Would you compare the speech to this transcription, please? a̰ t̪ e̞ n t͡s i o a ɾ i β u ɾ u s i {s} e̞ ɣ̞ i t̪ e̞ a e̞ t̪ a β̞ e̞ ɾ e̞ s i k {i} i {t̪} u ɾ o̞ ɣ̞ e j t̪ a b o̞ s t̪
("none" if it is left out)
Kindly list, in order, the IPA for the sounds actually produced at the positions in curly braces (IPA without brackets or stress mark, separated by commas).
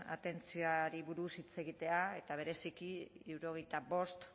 t͡s, i, none